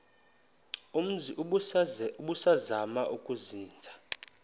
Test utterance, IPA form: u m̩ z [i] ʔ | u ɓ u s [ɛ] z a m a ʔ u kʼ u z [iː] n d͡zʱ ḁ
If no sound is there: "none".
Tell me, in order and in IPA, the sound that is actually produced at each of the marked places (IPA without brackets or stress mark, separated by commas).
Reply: i, a, iː